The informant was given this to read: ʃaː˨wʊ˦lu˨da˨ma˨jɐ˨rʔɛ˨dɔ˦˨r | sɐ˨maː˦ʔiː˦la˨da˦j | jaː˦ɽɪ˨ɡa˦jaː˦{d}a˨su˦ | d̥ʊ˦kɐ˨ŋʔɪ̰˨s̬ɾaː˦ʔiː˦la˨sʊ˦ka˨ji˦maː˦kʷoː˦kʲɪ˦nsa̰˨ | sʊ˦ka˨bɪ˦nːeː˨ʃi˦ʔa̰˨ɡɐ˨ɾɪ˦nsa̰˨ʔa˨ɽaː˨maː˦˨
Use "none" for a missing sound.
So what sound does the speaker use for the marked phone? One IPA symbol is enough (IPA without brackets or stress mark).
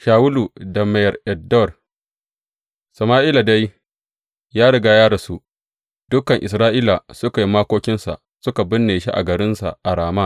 d